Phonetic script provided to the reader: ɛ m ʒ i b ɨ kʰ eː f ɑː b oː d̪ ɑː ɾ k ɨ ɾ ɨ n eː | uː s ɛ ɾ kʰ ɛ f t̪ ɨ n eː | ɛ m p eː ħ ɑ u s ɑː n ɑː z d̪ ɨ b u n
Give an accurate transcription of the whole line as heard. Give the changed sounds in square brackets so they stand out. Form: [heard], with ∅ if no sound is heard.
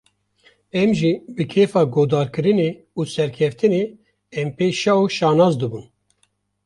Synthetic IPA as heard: ɛ m ʒ i b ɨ kʰ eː f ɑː [ɡ] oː d̪ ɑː ɾ k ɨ ɾ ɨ n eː | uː s ɛ ɾ kʰ ɛ f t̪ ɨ n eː | ɛ m p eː [ʃ] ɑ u [ʃ] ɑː n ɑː z d̪ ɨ b u n